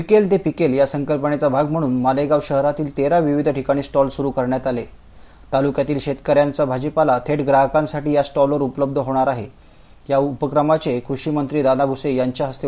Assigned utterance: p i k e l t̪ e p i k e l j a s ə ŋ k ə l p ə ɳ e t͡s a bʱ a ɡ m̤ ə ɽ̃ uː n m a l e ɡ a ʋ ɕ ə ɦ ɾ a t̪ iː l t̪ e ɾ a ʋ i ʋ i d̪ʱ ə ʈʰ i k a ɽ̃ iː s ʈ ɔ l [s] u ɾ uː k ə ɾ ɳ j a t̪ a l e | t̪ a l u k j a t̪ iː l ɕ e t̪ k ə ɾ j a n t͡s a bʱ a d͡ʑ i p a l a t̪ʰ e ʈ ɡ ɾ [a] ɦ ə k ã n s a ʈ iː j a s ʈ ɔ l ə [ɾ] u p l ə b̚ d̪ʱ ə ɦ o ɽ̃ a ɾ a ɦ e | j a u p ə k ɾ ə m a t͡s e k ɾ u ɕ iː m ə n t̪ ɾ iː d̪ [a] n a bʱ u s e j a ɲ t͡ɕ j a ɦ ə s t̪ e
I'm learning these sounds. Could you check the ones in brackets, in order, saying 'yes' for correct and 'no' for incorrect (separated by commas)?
yes, yes, yes, yes